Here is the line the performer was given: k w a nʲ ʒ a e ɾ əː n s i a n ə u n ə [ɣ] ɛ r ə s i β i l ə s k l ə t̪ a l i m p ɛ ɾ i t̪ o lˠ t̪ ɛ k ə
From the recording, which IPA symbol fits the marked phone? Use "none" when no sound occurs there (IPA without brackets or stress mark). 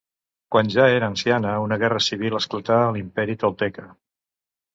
ɣ